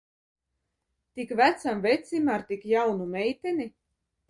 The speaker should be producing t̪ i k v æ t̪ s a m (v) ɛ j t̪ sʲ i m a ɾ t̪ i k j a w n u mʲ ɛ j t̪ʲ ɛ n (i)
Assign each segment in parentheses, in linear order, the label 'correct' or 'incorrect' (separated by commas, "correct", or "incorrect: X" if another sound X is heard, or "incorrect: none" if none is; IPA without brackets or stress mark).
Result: correct, correct